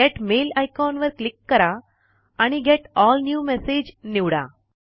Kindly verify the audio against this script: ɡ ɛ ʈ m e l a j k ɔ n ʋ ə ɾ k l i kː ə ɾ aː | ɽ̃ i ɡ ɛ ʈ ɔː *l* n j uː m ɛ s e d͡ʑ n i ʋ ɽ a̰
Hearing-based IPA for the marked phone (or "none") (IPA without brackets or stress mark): l